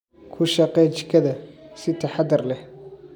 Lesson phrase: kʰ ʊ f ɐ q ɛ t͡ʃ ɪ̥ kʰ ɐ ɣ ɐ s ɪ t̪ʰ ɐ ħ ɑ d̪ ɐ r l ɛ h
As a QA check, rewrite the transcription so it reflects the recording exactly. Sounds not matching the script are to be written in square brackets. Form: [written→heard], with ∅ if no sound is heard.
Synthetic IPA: kʰ ʊ [f→ʃ] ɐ q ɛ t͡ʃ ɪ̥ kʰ ɐ [ɣ→ð] ɐ s ɪ t̪ʰ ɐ ħ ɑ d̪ ɐ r l ɛ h